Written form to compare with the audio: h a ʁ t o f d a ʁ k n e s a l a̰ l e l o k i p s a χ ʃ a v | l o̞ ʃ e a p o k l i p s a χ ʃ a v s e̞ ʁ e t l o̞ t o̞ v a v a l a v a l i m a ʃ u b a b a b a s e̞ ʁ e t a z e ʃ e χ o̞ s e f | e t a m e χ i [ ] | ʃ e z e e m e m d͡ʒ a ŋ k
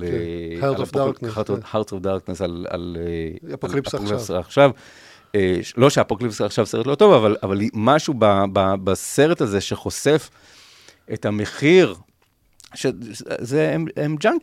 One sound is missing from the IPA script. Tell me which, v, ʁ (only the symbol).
ʁ